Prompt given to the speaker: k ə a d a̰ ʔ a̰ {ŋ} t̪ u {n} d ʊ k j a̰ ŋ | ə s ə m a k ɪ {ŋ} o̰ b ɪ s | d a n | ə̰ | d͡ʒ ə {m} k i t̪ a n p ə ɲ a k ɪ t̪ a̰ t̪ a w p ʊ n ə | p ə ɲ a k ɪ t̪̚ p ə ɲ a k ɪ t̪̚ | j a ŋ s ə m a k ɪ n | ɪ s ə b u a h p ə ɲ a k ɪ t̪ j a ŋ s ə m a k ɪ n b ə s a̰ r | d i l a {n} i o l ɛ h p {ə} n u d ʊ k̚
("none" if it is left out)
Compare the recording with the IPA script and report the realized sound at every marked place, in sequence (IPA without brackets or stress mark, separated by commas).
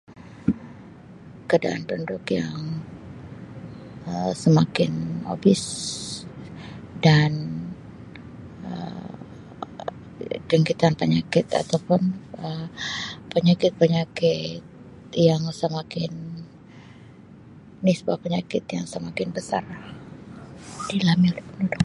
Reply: n, n, n, ŋ, m, ə